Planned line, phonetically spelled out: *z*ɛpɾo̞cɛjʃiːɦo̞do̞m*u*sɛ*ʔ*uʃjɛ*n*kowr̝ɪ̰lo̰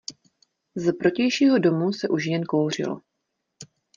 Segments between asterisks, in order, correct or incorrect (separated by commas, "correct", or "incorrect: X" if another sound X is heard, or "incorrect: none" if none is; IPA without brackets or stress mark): correct, correct, correct, correct